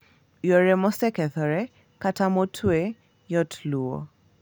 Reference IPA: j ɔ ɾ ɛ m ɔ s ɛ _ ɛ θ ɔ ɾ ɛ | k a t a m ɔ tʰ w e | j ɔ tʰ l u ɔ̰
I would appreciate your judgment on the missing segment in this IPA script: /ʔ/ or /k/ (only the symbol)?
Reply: k